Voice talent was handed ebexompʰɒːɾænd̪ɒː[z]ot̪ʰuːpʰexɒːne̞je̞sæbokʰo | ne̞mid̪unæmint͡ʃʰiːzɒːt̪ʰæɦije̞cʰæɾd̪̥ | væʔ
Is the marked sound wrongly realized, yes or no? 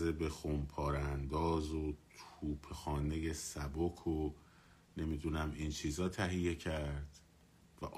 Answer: no